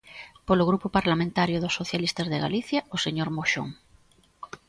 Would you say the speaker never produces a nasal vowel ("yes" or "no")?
no